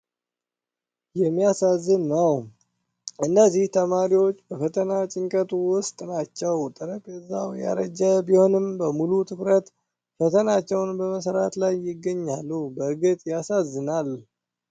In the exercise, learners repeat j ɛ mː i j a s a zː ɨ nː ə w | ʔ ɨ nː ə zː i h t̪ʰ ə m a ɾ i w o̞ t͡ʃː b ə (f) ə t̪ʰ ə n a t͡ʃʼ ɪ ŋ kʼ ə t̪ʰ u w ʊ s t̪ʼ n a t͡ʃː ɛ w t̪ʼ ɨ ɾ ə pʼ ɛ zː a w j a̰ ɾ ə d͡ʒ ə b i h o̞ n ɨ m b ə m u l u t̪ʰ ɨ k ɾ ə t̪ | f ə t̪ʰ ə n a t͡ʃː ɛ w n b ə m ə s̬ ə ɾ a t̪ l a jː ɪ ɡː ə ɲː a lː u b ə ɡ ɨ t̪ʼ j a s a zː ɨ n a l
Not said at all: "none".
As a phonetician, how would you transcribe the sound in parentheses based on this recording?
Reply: f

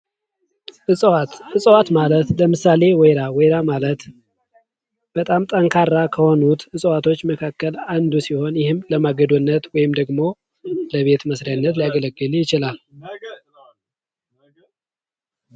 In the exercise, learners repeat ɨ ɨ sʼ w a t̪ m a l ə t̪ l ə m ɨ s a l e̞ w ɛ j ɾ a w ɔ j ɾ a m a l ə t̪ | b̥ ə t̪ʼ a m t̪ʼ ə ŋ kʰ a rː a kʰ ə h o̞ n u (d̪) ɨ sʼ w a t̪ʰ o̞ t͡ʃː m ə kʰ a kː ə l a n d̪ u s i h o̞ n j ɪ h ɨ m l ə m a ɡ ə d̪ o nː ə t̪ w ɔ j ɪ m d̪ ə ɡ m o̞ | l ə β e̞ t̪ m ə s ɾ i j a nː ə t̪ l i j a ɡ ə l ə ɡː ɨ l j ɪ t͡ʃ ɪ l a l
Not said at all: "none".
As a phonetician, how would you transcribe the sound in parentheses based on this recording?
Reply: t̪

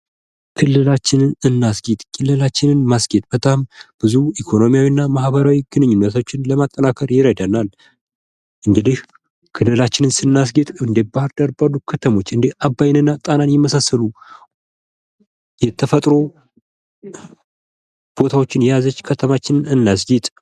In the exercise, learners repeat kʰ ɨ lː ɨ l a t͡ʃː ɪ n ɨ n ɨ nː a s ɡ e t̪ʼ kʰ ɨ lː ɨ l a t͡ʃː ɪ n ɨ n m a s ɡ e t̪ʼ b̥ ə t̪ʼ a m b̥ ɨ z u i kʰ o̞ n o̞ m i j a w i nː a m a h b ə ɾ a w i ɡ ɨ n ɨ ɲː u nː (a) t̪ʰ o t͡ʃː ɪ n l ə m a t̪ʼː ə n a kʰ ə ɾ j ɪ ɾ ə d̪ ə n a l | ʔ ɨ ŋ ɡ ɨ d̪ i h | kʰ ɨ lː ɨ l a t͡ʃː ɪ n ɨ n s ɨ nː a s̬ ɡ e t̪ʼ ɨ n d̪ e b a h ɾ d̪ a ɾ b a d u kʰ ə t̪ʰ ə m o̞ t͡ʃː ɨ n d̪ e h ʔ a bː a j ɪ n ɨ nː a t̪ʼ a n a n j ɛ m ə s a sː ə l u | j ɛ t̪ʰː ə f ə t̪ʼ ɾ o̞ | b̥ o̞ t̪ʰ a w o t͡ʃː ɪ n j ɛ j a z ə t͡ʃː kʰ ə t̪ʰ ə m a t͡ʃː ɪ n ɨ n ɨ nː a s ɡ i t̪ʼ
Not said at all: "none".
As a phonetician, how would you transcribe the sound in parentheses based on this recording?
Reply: ə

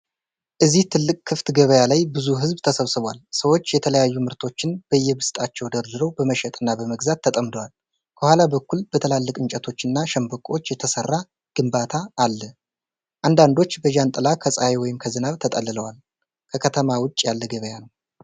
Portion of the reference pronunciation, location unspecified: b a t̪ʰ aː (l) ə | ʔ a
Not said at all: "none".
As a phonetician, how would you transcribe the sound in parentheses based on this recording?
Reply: lː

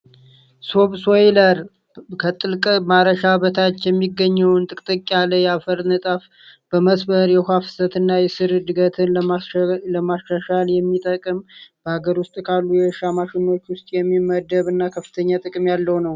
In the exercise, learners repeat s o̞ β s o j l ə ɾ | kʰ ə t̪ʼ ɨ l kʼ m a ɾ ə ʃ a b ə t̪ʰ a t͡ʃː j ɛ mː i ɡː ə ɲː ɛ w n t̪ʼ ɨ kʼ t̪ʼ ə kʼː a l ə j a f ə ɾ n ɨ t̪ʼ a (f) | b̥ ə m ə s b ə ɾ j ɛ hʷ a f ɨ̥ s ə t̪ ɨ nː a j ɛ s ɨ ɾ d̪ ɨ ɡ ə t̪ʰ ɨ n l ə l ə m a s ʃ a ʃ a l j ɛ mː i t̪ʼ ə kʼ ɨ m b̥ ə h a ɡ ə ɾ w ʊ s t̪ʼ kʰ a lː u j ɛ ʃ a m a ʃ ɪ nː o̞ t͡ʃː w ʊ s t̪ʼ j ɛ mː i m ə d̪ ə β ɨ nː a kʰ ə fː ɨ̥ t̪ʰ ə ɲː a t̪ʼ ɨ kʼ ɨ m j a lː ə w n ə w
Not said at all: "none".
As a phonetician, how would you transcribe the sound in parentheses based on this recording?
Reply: f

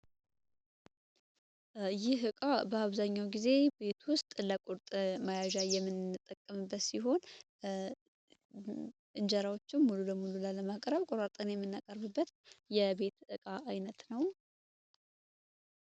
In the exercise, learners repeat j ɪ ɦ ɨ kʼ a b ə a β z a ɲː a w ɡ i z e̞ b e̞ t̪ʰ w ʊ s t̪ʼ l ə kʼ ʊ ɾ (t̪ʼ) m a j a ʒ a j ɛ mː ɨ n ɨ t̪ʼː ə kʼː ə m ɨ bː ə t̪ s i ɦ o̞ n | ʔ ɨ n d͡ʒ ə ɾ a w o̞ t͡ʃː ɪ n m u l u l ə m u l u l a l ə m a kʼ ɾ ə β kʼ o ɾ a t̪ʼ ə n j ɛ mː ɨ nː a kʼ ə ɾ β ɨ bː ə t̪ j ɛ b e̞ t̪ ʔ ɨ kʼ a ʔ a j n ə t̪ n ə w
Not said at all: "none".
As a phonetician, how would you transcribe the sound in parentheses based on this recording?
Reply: t̪ʼ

